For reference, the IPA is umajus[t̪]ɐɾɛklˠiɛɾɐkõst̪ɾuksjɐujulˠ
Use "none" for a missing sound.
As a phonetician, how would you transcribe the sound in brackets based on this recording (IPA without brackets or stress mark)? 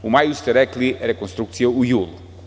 t̪